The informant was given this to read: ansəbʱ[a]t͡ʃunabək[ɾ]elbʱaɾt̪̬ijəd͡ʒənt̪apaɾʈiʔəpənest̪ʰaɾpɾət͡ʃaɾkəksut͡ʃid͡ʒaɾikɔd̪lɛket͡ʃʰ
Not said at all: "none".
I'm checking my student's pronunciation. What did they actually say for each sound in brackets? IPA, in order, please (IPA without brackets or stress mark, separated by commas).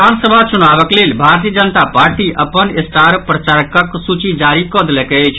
a, l